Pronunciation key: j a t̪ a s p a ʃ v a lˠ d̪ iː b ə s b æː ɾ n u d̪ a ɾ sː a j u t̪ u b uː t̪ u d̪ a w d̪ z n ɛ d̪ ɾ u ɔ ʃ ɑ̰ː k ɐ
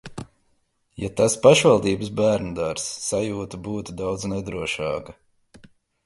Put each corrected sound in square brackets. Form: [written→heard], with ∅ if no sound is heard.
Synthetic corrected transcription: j a t̪ a s p a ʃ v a lˠ d̪ iː b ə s b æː ɾ n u d̪ a ɾ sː a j [u→uː] t̪ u b uː t̪ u d̪ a w d̪ z n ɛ d̪ ɾ u ɔ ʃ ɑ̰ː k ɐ